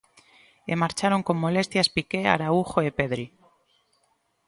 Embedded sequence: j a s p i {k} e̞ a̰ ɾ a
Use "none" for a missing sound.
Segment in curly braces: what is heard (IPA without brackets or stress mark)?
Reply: k